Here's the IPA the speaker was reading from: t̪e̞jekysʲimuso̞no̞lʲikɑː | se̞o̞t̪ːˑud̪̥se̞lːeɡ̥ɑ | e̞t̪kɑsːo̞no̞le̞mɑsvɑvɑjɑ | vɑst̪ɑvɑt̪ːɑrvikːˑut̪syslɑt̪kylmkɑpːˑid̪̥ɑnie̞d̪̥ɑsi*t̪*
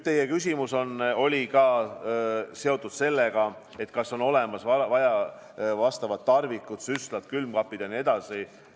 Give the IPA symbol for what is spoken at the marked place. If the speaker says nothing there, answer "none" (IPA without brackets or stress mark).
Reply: none